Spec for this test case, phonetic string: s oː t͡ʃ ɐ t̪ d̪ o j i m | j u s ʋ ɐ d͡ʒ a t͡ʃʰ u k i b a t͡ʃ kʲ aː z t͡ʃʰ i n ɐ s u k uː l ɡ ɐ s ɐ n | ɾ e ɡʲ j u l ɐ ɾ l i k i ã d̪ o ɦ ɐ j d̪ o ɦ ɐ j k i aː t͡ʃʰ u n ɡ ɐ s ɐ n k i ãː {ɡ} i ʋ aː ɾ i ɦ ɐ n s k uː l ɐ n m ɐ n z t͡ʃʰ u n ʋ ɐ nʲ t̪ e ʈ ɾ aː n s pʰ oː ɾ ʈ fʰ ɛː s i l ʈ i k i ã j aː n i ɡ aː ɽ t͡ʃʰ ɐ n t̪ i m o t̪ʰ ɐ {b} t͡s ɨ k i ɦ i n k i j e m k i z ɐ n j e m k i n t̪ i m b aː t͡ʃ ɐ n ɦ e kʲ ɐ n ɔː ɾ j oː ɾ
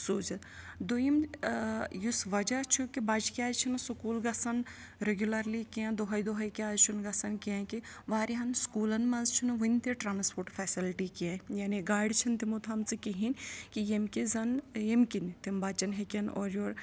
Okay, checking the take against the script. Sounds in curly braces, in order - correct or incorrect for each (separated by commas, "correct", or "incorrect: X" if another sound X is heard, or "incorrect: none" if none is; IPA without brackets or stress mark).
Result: incorrect: k, incorrect: m